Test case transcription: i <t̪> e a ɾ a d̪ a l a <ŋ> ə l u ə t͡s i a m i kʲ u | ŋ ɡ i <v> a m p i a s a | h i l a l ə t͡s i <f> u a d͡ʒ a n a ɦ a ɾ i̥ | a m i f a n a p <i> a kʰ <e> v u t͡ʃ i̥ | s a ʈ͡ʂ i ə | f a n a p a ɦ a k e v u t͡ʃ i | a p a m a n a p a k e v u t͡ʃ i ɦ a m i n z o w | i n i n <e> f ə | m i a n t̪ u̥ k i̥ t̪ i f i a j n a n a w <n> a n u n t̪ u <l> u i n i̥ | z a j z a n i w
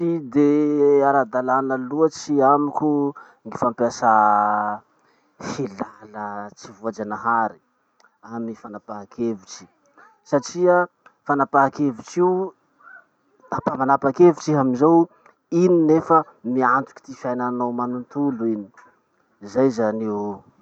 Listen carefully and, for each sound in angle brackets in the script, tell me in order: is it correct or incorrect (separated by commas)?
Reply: incorrect, incorrect, incorrect, incorrect, incorrect, correct, correct, incorrect, correct